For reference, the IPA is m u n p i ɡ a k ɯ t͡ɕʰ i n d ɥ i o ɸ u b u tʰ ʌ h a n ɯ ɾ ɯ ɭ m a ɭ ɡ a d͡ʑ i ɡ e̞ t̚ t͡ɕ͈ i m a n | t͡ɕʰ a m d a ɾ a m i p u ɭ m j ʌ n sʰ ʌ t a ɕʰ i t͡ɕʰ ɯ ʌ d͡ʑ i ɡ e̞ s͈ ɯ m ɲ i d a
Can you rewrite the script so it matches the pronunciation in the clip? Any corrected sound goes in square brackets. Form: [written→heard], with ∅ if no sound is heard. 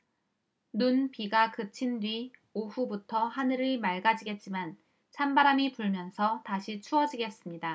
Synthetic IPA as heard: [m→n] u n p i ɡ a k ɯ t͡ɕʰ i n d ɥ i o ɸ u b u tʰ ʌ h a n ɯ ɾ ɯ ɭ m a ɭ ɡ a d͡ʑ i ɡ e̞ t̚ t͡ɕ͈ i m a n | t͡ɕʰ a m [d→b] a ɾ a m i p u ɭ m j ʌ n sʰ ʌ t a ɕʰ i t͡ɕʰ [ɯ→u] ʌ d͡ʑ i ɡ e̞ s͈ ɯ m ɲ i d a